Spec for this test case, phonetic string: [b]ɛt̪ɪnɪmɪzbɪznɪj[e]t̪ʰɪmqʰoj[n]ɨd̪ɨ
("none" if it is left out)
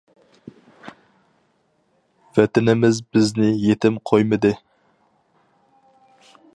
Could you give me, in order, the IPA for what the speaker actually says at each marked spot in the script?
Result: v, e, m

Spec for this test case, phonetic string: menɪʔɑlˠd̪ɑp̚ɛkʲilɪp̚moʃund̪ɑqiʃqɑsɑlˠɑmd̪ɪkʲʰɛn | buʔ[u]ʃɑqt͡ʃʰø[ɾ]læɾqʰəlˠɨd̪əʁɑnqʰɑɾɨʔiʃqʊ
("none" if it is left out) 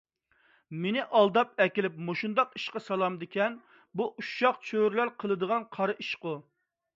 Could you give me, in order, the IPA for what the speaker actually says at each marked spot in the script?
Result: u, ɾ

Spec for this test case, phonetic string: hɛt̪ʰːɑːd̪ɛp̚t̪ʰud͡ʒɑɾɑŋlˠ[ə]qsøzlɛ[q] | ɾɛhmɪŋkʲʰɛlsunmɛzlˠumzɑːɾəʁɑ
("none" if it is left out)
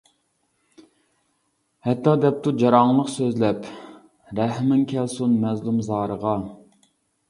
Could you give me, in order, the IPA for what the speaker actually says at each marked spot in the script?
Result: ə, p

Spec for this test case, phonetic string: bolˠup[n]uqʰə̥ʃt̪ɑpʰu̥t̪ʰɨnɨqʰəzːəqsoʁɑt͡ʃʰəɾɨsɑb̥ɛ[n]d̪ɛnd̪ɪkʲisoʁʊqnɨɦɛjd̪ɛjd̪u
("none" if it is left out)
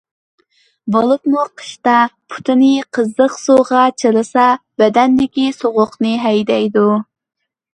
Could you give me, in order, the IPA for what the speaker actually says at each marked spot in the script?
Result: m, none

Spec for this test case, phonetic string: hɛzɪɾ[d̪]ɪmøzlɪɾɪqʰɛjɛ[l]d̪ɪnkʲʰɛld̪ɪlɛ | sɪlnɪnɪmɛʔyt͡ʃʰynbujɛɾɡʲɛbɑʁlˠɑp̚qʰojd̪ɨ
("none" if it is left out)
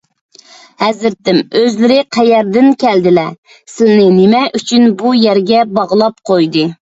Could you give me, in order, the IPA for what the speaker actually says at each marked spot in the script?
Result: t̪, ɾ

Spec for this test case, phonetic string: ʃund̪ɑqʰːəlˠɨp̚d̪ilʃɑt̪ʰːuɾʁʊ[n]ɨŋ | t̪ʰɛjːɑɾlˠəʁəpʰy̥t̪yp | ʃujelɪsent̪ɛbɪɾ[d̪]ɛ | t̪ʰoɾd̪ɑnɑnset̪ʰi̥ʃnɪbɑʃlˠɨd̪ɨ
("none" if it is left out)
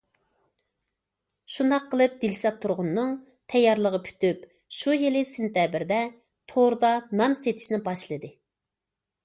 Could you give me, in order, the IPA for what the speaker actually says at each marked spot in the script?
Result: nː, d̪

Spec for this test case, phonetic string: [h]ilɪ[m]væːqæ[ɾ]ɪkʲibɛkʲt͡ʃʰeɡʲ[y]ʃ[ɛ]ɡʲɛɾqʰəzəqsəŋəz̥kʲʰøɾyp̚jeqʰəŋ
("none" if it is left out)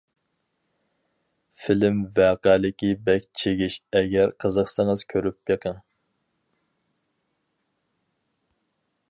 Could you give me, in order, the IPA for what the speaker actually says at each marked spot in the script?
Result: f, m, l, i, ɛ

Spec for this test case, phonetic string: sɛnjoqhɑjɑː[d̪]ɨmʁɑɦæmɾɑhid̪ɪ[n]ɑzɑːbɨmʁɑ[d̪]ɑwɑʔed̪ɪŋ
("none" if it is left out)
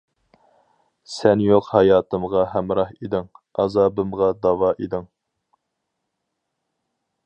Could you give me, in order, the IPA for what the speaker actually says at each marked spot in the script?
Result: t̪, ŋ, d̪

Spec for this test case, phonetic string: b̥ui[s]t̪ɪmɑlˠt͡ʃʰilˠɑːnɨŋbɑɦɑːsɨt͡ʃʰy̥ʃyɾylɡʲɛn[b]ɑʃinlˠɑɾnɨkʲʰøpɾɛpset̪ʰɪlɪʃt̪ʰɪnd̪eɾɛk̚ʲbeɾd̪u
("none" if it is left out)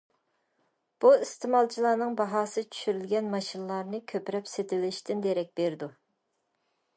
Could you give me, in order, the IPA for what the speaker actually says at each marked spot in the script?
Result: s, m

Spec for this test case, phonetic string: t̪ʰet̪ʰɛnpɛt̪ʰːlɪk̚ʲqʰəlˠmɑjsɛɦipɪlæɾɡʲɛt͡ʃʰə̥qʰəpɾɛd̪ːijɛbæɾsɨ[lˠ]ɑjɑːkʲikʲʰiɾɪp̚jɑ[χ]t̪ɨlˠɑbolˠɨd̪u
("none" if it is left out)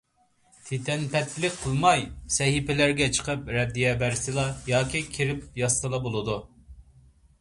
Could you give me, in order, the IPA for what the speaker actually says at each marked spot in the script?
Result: lˠ, s

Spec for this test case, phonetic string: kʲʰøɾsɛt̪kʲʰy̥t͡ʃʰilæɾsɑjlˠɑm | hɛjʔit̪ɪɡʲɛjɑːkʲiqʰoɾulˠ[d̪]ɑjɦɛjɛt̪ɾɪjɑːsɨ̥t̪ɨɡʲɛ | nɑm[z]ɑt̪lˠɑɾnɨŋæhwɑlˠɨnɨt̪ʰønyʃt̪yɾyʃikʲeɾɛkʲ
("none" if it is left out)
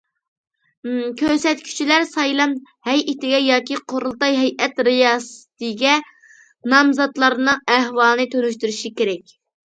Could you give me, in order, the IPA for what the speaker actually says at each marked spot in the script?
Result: t̪, z

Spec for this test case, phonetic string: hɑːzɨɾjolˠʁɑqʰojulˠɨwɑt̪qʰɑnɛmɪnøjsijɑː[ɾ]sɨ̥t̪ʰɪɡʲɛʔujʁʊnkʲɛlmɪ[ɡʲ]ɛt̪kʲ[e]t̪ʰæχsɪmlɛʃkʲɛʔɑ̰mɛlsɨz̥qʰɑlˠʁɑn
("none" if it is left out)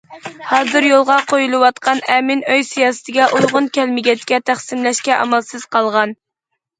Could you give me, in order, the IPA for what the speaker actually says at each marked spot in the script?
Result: none, ɡʲ, ɛ

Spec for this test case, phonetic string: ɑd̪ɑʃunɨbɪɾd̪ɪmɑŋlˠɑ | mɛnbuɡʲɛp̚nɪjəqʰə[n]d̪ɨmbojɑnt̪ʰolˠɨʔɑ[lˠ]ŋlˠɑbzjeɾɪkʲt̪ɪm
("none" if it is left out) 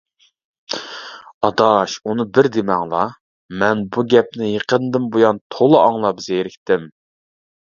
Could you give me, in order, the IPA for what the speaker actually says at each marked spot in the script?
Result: n, none

